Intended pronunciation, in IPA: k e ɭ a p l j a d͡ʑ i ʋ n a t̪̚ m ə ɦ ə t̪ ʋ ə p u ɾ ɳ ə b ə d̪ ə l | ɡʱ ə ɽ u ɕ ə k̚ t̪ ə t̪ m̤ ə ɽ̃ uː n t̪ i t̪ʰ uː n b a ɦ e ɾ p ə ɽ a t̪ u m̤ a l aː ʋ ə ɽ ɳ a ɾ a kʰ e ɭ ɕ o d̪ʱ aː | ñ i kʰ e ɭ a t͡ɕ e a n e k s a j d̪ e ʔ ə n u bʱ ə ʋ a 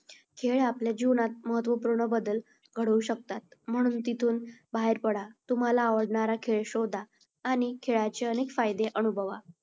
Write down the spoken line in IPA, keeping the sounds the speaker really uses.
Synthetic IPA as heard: kʰ e ɭ a p l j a d͡ʑ i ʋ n a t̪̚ m ə ɦ ə t̪ ʋ ə p u ɾ ɳ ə b ə d̪ ə l | ɡʱ ə ɽ u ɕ ə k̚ t̪ a t̪ m̤ ə ɽ̃ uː n t̪ i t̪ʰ uː n b a ɦ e ɾ p ə ɽ a t̪ u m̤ a l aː ʋ ə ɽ ɳ a ɾ a kʰ e ɭ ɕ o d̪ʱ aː | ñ i kʰ e ɭ a t͡ɕ e ə n e k f a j d̪ e ʔ ə n u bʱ ə ʋ a